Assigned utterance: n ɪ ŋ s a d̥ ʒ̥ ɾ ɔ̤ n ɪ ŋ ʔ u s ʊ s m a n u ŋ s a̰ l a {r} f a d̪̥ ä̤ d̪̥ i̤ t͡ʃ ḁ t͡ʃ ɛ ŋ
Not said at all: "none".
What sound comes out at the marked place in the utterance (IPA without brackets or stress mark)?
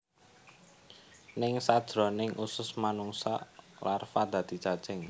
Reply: r